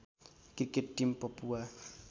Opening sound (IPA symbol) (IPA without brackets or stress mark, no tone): k